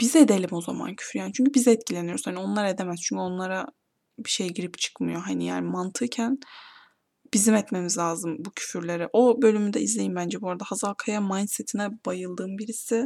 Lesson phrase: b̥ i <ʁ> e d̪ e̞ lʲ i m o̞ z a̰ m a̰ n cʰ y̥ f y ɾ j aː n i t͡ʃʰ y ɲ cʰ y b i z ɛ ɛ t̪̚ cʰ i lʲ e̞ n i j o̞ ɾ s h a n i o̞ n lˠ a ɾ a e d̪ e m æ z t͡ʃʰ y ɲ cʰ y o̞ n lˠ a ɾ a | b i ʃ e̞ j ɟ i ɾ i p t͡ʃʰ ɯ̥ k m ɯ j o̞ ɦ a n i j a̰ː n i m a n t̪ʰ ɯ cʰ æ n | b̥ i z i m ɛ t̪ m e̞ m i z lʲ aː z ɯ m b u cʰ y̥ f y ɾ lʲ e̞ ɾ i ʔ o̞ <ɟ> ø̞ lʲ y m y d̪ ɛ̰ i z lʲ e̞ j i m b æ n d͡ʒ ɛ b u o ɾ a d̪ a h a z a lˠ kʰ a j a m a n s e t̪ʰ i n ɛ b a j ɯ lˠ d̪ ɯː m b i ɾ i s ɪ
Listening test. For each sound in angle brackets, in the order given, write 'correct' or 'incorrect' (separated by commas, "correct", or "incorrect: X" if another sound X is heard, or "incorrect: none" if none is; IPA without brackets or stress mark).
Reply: incorrect: z, incorrect: b